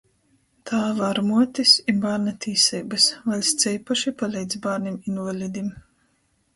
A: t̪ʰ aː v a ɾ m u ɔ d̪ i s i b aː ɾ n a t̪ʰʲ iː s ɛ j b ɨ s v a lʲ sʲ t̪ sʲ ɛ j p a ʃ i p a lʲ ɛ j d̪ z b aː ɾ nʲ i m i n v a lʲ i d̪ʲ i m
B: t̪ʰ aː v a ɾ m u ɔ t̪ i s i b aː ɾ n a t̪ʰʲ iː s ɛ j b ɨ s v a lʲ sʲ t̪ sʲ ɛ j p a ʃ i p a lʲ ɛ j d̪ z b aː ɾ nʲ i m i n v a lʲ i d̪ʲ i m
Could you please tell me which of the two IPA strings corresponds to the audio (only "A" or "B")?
B